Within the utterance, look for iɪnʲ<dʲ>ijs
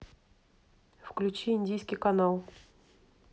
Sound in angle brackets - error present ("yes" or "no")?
no